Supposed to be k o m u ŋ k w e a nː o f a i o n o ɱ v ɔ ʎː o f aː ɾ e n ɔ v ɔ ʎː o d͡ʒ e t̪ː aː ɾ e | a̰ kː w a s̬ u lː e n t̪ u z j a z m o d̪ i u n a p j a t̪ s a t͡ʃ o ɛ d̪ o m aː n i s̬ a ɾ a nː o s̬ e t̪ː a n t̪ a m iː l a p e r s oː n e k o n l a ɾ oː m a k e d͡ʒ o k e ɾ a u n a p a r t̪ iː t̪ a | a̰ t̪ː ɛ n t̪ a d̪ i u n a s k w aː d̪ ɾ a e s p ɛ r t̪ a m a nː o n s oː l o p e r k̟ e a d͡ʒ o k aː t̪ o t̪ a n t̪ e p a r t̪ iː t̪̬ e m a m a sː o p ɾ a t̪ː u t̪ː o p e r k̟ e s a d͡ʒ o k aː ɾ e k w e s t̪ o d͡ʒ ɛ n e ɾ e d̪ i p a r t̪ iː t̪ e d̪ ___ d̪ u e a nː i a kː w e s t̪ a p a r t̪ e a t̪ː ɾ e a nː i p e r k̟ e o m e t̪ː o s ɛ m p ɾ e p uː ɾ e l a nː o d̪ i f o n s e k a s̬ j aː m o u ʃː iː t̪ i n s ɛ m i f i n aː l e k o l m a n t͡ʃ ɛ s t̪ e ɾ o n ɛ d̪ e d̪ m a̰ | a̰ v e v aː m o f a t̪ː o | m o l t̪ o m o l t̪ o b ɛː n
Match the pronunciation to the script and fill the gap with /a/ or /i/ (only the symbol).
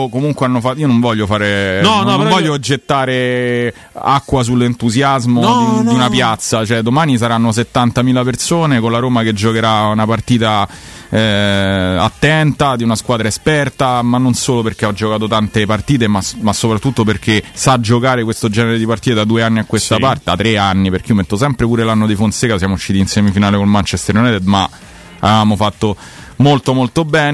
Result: a